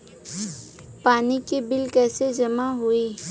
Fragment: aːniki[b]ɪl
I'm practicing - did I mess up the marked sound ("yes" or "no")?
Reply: no